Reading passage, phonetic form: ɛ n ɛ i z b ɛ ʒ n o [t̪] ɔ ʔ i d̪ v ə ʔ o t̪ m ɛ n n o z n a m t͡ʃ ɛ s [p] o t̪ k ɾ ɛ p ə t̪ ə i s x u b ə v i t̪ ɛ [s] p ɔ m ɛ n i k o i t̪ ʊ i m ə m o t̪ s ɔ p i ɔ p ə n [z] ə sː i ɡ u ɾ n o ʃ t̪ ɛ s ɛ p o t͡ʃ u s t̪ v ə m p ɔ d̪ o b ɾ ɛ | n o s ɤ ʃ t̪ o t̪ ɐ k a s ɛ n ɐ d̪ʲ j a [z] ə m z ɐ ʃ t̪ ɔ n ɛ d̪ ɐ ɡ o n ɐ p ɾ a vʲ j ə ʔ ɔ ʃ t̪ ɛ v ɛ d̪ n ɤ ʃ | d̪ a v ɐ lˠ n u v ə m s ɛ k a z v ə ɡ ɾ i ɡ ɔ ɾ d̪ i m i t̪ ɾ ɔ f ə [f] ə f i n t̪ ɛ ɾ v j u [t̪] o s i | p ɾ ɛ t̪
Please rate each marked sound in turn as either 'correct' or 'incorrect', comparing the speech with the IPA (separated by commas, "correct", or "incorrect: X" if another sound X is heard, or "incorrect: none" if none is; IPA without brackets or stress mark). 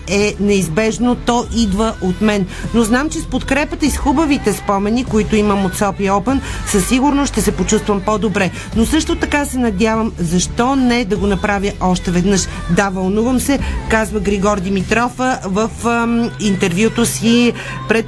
correct, correct, correct, incorrect: s, incorrect: v, incorrect: v, correct